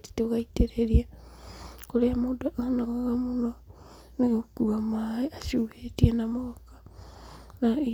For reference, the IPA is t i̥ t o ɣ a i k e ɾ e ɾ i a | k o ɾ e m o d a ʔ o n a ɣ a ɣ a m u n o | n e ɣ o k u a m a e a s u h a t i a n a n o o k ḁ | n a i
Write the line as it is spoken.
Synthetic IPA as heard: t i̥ t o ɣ a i t e ɾ e ɾ i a | k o ɾ e m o d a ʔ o n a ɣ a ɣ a m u n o | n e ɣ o k u a m a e a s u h e t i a n a m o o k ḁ | n a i